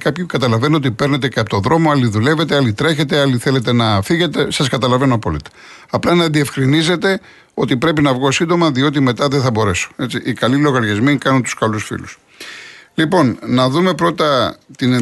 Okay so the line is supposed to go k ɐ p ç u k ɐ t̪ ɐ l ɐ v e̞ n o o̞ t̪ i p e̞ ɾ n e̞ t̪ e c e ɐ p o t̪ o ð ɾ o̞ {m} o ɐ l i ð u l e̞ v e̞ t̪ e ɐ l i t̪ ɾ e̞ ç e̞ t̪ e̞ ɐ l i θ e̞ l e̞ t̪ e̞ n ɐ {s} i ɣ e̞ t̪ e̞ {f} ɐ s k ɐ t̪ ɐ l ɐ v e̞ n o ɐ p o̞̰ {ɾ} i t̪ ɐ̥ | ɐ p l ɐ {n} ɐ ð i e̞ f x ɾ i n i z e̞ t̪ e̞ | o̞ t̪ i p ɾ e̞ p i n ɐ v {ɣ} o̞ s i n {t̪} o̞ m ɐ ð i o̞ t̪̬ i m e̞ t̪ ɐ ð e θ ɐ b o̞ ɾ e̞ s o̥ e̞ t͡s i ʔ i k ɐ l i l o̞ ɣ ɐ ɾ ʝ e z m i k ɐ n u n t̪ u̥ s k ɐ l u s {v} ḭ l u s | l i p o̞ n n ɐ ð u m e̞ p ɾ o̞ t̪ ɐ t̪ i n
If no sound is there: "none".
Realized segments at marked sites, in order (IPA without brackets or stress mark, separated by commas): m, f, s, l, n, ɣ, d̪, f